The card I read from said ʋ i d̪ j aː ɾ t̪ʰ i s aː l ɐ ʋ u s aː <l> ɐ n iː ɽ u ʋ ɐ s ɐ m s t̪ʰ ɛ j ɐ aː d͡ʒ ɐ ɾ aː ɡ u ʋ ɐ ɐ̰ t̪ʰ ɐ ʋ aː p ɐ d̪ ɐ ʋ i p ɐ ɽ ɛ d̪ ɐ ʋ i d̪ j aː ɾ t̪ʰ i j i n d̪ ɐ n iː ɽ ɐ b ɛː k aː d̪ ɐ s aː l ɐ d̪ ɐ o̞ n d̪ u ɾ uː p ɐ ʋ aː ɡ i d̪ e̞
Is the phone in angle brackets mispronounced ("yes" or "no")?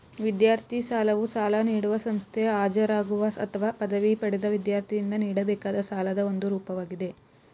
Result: no